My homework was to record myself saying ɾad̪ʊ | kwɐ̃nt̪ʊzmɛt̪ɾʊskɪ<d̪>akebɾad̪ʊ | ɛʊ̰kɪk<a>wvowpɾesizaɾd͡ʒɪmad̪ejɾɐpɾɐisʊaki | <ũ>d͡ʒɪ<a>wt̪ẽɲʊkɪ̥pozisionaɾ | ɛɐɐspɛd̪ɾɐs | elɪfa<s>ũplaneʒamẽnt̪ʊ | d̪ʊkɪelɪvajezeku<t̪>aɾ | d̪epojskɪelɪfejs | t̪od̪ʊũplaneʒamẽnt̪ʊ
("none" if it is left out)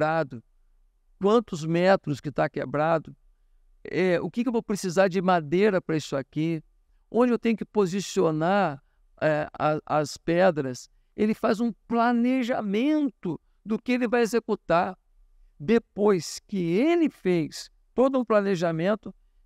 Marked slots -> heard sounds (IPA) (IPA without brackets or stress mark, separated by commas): t̪, e, õ, e, z, t̪